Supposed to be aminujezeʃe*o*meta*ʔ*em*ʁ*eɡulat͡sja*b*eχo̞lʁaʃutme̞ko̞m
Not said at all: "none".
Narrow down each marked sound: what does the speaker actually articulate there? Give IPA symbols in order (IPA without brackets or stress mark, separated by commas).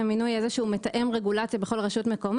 u, ʔ, ʁ, b